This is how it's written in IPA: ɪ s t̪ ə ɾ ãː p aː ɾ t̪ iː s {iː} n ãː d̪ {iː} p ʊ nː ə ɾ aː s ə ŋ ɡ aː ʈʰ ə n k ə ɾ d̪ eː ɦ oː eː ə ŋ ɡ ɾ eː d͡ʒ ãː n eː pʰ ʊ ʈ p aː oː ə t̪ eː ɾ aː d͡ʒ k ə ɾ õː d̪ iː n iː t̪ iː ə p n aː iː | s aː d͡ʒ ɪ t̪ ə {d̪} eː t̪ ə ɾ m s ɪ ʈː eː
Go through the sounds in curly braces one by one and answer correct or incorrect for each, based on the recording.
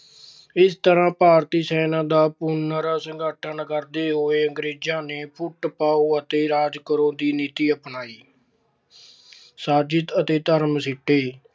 incorrect: ɛː, incorrect: aː, incorrect: t̪

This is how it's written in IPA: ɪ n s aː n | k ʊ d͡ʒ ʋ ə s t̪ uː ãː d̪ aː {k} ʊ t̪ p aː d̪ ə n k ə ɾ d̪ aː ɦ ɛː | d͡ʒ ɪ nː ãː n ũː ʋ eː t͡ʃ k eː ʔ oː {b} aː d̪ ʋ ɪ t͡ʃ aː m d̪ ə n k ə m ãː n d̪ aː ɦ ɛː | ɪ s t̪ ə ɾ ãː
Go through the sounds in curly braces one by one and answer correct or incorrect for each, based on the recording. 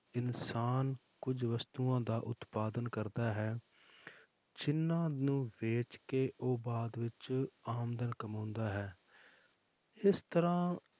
incorrect: ʔ, correct

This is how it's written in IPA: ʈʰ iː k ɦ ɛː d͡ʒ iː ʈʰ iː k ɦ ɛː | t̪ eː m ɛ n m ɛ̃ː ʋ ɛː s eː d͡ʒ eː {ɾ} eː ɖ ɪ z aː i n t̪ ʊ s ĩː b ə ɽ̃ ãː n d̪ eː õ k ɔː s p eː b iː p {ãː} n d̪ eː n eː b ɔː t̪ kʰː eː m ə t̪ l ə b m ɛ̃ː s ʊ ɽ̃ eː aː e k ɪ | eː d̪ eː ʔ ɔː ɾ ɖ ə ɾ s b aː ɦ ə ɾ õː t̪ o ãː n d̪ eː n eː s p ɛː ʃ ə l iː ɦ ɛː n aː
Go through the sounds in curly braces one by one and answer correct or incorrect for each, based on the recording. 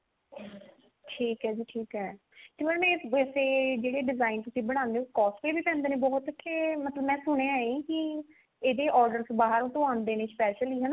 incorrect: ɽ, incorrect: ɛ̃ː

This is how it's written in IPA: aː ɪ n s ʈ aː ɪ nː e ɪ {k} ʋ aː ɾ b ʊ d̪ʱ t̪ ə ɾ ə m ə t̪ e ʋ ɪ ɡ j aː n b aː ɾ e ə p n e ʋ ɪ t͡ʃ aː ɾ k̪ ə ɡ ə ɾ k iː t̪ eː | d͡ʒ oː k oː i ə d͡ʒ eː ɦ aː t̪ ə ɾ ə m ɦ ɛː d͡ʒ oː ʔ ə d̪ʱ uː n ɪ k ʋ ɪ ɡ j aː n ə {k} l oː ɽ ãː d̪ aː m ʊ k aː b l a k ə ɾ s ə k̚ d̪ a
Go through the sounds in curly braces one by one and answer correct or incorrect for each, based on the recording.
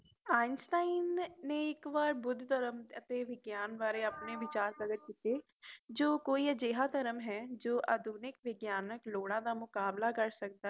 correct, correct

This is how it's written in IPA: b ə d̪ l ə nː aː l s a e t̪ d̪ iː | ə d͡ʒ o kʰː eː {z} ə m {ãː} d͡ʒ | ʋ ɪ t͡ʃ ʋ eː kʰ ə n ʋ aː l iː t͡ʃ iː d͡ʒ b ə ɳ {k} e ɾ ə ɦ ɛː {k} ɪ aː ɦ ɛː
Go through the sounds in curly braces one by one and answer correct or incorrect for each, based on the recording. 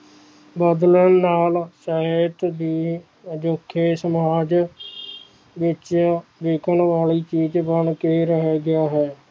incorrect: s, incorrect: aː, correct, incorrect: ɡ

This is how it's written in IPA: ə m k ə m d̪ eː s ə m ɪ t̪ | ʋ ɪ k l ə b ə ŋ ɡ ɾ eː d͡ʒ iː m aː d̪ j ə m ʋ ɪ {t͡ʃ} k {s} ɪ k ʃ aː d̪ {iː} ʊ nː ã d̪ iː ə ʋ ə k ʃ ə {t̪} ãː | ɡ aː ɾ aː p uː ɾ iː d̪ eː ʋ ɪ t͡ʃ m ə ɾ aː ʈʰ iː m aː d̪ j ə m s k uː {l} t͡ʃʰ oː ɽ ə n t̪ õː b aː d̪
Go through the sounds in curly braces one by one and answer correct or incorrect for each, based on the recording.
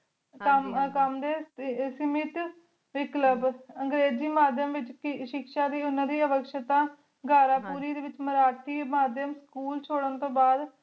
correct, incorrect: ʃ, correct, correct, correct

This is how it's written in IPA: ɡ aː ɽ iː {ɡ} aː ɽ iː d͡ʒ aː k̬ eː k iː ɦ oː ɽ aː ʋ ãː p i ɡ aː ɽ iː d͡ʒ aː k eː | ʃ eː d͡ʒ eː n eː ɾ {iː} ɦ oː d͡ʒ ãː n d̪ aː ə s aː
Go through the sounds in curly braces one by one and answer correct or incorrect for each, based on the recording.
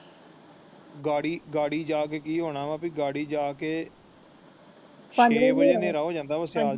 correct, incorrect: aː

